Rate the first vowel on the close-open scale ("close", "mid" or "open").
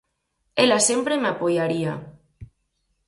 mid